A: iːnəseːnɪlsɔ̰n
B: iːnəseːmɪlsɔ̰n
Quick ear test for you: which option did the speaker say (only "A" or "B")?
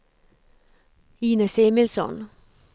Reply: B